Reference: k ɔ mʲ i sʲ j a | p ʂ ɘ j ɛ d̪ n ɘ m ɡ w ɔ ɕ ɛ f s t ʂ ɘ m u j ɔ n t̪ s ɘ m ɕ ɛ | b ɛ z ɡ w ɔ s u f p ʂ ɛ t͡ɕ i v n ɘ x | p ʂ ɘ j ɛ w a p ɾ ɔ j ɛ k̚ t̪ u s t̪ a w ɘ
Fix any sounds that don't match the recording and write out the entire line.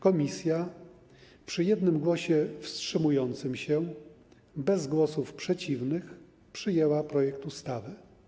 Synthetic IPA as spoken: k ɔ mʲ i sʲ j a | p ʂ ɘ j ɛ d̪ n ɘ m ɡ w ɔ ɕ ɛ f s t ʂ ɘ m u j ɔ n t̪ s ɘ m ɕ ɛ | b ɛ z ɡ w ɔ s u f p ʂ ɛ t͡ɕ i v n ɘ x | p ʂ ɘ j ɛ w a p ɾ ɔ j ɛ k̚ t̪ u s t̪ a v ɘ